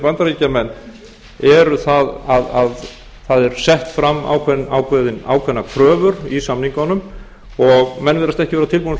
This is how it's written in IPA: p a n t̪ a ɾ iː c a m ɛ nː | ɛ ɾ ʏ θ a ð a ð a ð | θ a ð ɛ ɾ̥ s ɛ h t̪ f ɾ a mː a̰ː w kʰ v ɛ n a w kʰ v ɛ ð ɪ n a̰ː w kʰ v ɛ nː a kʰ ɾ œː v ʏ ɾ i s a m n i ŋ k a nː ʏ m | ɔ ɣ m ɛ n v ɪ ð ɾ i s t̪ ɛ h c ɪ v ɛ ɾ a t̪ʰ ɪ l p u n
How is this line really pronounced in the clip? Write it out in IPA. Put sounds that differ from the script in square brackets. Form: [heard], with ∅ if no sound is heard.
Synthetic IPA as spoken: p a n t̪ a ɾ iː c a m ɛ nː | ɛ ɾ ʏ θ a ð a ð a ð | θ a ð ɛ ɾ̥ s ɛ h t̪ f ɾ a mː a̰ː w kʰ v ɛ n a w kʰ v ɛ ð ɪ n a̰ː w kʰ v ɛ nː a kʰ ɾ œː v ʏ ɾ i s a m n i ŋ k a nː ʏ m | ɔ ɣ m ɛ n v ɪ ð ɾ [a] s t̪ ɛ h c ɪ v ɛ ɾ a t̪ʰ ɪ l p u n